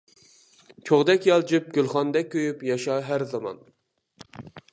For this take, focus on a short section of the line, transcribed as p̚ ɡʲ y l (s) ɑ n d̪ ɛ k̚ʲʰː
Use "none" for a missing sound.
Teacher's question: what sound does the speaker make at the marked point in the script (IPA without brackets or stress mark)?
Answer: χ